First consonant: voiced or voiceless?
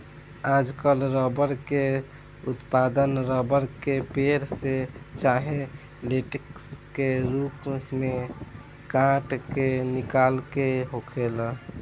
voiced